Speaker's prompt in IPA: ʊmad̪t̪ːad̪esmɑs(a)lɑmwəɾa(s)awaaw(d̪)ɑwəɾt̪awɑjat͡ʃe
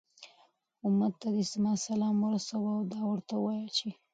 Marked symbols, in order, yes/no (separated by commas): yes, yes, yes